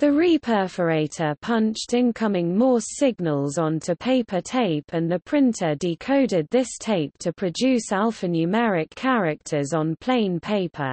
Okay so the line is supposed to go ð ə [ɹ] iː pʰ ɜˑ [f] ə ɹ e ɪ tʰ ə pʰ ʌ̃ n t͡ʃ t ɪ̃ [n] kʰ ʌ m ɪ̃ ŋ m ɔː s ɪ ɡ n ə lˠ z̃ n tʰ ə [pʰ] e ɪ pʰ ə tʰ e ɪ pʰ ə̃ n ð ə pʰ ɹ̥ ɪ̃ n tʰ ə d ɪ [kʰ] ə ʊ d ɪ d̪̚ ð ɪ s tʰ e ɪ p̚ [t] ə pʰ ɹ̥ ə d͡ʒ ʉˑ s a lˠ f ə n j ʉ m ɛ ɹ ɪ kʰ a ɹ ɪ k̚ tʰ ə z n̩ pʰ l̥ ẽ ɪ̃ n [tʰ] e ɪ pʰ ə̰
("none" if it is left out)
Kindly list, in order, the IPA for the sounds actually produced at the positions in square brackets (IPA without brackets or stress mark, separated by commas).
ɹ, f, n, pʰ, kʰ, tʰ, pʰ